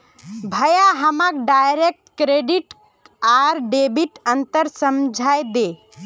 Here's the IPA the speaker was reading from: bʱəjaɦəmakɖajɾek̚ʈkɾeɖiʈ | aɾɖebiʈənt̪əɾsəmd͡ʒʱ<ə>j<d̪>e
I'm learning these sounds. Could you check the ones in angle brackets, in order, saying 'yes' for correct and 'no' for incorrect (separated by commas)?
no, yes